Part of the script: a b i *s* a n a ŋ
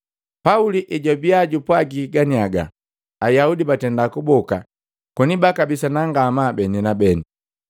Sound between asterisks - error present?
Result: no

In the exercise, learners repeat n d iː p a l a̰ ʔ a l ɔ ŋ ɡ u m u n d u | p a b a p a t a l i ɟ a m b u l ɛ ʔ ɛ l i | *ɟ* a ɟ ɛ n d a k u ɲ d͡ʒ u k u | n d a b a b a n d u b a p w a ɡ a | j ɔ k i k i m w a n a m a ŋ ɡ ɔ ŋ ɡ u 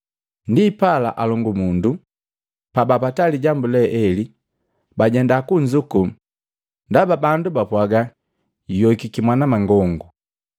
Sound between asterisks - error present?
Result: yes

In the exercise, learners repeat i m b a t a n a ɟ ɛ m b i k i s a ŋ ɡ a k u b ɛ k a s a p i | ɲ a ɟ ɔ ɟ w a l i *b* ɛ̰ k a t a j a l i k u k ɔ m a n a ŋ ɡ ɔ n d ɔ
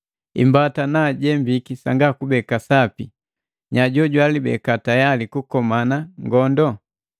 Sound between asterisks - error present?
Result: no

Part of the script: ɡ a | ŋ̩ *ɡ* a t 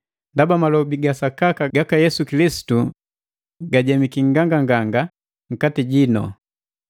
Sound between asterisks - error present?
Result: yes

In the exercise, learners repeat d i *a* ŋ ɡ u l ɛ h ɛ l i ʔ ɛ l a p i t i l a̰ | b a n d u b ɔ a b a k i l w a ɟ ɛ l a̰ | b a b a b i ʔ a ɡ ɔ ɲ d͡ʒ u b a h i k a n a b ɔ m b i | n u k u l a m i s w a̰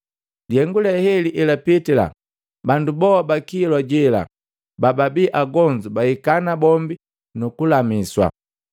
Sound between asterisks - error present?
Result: yes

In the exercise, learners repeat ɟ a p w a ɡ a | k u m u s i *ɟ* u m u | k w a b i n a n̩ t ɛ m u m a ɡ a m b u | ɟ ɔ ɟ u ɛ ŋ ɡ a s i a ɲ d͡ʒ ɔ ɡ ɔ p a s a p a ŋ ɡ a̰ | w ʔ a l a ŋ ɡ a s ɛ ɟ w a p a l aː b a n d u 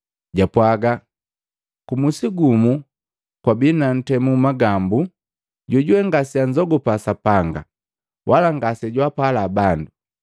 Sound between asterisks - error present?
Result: yes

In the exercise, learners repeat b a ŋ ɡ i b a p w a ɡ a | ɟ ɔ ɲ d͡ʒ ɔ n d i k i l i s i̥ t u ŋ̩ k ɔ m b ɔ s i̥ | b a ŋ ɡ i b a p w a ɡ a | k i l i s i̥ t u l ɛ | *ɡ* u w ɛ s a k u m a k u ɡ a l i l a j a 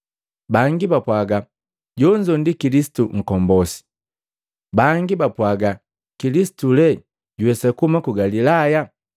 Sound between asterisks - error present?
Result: yes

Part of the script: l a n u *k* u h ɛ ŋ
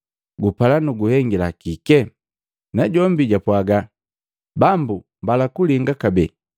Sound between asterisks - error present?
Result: yes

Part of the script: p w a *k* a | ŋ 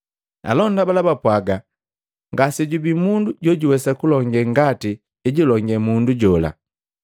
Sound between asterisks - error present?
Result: yes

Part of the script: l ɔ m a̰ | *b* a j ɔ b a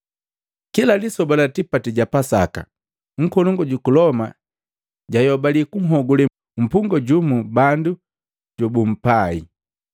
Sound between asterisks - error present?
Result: yes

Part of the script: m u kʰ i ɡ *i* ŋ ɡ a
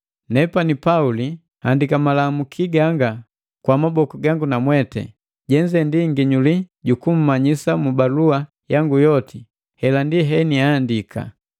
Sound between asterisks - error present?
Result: yes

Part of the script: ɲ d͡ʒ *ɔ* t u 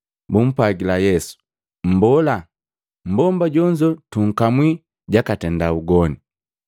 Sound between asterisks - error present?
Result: no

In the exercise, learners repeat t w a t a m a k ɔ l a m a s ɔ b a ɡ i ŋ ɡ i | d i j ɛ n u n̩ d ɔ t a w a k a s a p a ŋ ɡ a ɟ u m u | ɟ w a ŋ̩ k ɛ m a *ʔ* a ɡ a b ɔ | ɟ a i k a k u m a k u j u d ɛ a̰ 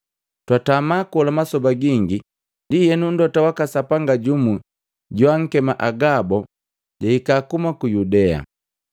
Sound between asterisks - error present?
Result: no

